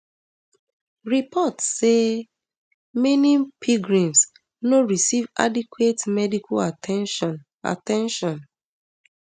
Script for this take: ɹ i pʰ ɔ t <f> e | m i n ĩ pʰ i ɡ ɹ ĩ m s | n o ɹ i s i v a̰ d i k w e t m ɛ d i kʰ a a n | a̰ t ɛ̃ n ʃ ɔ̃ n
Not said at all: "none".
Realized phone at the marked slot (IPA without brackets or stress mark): s